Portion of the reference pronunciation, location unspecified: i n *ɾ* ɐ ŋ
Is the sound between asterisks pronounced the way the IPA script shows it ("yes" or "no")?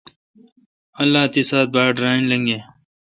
no